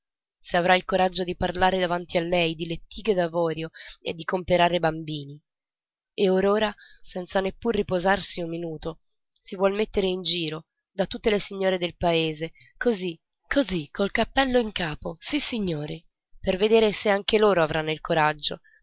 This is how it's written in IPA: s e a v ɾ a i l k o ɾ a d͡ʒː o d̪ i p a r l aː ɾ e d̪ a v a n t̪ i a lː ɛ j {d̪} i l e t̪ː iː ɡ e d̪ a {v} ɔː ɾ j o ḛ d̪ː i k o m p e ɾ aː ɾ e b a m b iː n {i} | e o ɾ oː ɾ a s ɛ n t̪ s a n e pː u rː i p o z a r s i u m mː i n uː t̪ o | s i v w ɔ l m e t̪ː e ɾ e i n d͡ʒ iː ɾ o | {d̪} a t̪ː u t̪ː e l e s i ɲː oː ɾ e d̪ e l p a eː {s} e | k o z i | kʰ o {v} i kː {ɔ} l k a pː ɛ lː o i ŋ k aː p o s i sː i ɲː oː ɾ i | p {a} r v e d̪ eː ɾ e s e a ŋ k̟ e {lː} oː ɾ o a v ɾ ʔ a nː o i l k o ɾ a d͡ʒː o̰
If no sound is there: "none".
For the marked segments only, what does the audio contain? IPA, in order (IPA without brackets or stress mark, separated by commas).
d̪, v, i, d̪, z, z, o, e, l